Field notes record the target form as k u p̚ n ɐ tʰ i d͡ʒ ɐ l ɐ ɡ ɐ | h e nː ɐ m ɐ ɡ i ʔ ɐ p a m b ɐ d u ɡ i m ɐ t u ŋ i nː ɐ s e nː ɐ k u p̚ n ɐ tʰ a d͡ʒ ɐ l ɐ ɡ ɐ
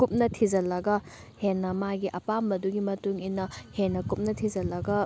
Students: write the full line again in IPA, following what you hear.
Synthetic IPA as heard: k u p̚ n ɐ tʰ i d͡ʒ ɐ l ɐ ɡ ɐ | h e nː ɐ m a ɡ i ʔ ɐ p a m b ɐ d u ɡ i m ɐ t u ŋ i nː ɐ h e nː ɐ k u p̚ n ɐ tʰ i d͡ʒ ɐ l ɐ ɡ ɐ